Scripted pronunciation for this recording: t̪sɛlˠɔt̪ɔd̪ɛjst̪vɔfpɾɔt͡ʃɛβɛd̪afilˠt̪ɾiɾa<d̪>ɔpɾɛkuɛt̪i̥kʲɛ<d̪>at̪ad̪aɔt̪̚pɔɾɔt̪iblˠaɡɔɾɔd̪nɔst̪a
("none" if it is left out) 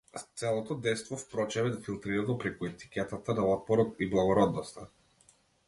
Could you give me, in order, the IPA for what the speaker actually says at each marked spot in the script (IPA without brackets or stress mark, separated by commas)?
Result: d̪, t̪